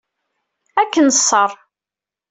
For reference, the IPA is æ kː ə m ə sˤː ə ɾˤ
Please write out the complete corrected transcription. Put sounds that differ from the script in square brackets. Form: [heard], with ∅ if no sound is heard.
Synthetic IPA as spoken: æ kː ə [n] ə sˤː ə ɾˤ